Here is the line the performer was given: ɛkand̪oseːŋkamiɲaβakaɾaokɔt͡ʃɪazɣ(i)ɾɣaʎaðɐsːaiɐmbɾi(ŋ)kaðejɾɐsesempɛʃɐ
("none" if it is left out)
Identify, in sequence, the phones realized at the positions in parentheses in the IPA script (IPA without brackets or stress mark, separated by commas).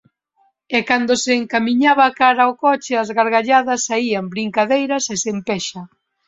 a, ŋ